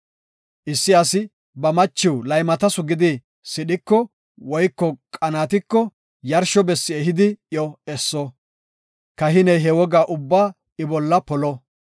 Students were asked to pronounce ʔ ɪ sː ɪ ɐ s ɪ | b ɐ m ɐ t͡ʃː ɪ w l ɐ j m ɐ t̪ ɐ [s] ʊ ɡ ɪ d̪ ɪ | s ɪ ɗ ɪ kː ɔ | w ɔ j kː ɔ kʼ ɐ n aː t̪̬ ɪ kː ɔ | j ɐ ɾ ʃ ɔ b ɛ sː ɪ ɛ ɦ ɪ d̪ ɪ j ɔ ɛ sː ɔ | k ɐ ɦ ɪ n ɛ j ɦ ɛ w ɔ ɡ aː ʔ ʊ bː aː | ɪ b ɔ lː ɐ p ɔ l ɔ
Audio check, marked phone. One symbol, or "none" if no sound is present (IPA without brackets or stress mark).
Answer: s